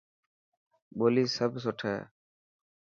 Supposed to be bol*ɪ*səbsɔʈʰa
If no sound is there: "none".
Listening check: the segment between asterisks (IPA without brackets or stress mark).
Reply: i